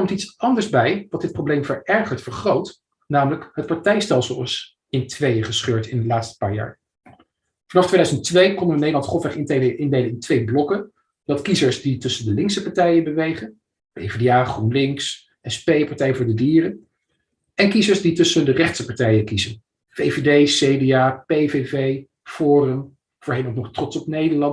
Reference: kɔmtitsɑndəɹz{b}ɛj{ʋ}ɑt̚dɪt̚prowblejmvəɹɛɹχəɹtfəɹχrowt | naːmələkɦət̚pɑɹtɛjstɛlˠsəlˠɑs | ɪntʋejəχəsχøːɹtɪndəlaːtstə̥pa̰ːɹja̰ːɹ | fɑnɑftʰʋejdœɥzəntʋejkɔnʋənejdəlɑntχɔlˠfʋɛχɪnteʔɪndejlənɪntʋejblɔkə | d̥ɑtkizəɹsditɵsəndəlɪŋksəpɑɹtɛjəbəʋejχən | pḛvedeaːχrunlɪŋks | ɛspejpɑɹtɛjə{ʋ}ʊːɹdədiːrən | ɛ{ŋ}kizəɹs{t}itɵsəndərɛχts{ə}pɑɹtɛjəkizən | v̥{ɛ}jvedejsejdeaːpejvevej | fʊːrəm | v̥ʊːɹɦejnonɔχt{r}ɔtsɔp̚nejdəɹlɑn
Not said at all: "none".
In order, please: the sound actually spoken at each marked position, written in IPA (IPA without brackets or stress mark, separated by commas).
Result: b, ʋ, v, n, d, ə, e, r